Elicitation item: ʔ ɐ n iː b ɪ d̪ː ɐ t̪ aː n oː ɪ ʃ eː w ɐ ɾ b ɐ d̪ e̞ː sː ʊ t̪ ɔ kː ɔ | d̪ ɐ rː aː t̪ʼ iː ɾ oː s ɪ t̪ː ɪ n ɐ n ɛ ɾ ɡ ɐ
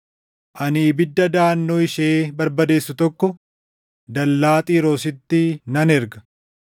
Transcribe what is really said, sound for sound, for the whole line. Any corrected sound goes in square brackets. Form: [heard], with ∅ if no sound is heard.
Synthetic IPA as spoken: ʔ ɐ n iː b ɪ d̪ː ɐ [d̪] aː [nː] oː ɪ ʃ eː [b] ɐ ɾ b ɐ d̪ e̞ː sː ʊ t̪ ɔ kː ɔ | d̪ ɐ [lː] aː t̪ʼ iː ɾ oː s ɪ t̪ː ɪ n ɐ n ɛ ɾ ɡ ɐ